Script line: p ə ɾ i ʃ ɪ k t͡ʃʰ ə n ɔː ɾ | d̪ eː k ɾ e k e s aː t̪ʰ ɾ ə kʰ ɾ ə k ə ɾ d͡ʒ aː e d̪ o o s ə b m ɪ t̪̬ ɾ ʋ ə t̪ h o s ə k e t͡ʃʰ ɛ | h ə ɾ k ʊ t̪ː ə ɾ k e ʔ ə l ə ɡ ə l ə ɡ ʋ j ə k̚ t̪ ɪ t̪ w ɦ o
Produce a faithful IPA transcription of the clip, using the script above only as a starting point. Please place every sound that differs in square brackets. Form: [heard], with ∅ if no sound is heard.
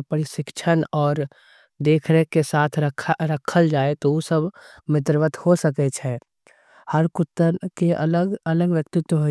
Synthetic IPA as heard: p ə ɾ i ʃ ɪ k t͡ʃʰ ə n ɔː ɾ | d̪ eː [kʰ] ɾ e k e s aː t̪ʰ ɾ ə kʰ ɾ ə [kʰ] ə [l] d͡ʒ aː e [t̪] o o s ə b m ɪ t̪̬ ɾ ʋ ə t̪ h o s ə k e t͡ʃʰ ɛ | h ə ɾ k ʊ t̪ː ə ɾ k e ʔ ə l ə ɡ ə l ə ɡ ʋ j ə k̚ t̪ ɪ t̪ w ɦ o